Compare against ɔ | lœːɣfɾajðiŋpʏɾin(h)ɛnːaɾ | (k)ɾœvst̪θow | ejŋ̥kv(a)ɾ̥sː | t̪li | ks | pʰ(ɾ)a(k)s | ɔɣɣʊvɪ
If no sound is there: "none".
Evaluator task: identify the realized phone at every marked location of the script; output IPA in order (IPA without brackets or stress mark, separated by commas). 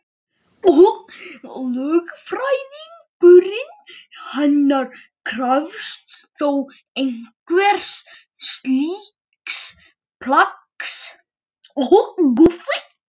h, kʰ, ɛ, l, k